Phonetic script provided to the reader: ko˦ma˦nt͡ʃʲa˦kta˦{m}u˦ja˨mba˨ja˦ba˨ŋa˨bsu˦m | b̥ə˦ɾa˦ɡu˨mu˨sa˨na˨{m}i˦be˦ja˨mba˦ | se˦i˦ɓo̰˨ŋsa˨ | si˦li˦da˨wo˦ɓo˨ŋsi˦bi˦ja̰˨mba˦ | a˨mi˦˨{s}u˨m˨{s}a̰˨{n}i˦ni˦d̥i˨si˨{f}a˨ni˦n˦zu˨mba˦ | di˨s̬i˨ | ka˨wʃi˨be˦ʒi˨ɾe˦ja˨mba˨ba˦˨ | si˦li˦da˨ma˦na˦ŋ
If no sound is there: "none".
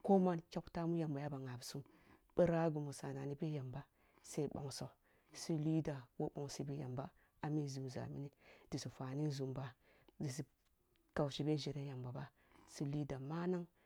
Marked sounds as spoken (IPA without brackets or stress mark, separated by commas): m, n, z, z, m, f